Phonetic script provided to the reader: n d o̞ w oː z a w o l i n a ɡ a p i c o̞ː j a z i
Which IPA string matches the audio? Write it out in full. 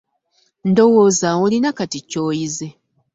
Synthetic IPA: n d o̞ w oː z a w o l i n a k a t i c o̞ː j i z e